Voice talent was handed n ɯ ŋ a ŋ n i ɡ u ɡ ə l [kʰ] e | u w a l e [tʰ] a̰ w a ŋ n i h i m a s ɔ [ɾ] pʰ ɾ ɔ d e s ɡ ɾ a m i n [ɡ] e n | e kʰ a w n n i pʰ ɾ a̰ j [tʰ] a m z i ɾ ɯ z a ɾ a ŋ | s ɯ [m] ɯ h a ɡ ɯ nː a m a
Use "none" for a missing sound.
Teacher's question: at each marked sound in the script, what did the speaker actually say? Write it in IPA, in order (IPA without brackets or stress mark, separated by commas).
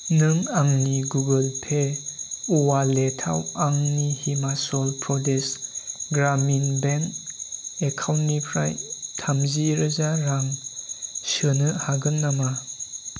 pʰ, tʰ, l, b, tʰ, n